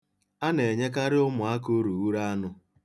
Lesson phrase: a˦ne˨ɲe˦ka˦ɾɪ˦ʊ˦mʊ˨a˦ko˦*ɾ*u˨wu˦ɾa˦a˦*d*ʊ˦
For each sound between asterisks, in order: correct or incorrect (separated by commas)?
correct, incorrect